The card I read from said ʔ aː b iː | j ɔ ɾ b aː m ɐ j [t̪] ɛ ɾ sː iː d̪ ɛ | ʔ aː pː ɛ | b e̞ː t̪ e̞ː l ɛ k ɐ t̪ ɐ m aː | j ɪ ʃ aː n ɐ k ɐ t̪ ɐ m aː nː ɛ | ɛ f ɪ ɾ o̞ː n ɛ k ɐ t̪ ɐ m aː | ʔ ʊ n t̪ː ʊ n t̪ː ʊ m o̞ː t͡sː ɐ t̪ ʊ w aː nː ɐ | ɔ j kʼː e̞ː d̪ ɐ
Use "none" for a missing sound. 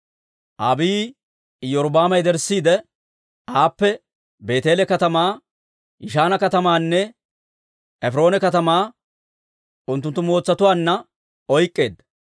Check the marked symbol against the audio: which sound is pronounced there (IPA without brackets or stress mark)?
d̪